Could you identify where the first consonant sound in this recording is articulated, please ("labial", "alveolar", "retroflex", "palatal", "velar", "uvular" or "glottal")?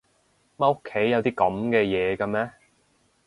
labial